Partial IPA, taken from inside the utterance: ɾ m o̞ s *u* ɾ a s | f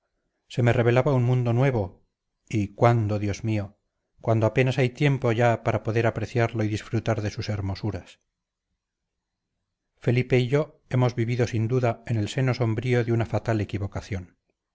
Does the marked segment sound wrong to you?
no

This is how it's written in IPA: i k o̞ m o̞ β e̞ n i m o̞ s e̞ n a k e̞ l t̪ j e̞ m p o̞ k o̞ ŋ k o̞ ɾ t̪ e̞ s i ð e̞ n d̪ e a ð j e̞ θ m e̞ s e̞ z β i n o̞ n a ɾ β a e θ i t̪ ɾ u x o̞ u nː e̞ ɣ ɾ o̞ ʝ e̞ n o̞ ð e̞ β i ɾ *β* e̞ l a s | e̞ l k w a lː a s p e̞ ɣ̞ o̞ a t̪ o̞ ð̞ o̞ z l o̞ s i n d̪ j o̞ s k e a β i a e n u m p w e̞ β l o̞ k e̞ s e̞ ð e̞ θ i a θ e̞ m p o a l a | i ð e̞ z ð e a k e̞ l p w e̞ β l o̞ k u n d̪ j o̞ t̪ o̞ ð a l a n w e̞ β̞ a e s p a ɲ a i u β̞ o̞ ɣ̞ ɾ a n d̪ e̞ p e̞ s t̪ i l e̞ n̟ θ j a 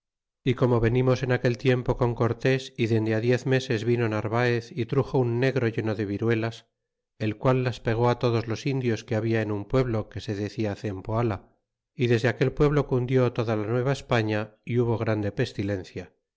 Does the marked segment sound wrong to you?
yes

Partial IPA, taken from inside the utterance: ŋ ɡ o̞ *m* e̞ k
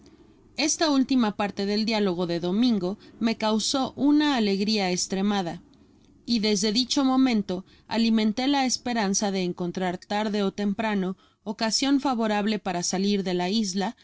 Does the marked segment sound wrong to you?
no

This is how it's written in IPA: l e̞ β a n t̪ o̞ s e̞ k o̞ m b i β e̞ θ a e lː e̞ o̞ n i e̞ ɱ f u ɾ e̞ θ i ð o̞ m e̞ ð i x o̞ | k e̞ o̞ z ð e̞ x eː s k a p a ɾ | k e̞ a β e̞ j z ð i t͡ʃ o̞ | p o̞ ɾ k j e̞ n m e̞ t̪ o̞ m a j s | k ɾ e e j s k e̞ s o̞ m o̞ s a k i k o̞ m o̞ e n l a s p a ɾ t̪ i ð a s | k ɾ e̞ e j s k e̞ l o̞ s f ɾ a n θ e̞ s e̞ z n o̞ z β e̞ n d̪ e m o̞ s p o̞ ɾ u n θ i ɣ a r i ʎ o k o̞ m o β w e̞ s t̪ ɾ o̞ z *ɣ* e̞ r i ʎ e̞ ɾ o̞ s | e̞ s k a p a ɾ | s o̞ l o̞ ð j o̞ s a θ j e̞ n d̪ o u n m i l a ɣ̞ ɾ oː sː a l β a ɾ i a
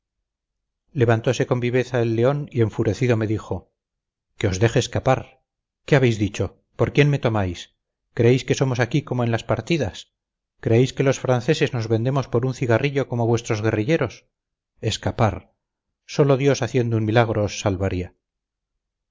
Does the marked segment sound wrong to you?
no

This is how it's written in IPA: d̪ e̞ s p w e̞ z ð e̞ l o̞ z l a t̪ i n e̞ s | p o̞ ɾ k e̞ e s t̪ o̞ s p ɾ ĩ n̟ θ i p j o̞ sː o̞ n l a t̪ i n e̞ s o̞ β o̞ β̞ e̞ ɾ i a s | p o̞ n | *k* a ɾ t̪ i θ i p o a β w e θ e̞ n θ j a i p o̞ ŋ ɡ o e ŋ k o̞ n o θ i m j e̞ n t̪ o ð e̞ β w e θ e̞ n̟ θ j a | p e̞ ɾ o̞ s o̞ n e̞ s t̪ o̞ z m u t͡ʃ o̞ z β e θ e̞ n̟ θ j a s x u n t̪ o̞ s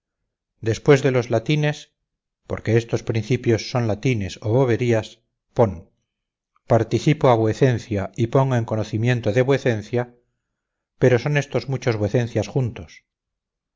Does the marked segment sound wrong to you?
yes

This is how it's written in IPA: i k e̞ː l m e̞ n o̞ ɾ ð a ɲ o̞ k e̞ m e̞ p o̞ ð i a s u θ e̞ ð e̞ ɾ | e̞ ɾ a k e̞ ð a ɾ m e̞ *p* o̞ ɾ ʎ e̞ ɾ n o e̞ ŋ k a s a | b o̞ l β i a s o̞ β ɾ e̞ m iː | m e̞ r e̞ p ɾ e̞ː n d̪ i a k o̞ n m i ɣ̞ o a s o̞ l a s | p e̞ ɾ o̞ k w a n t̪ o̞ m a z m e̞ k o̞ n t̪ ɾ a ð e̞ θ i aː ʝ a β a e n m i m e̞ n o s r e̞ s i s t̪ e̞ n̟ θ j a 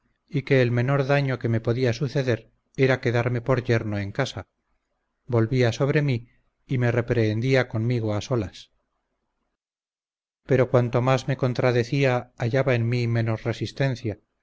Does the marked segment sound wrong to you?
no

